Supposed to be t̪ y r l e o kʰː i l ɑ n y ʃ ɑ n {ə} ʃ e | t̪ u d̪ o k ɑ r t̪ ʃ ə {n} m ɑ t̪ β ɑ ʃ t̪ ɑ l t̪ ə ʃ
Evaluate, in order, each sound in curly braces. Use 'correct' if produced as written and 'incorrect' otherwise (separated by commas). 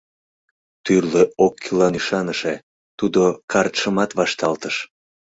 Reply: correct, incorrect